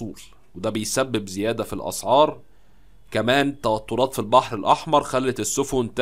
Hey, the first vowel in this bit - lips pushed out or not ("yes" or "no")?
yes